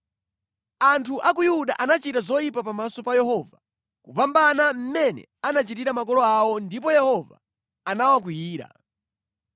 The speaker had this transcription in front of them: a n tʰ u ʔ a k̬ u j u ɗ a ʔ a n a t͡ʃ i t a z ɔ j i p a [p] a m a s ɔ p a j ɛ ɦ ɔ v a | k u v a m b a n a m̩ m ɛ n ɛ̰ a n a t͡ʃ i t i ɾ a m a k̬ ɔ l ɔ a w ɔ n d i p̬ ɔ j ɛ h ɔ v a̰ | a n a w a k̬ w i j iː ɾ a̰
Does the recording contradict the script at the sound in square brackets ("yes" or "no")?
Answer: no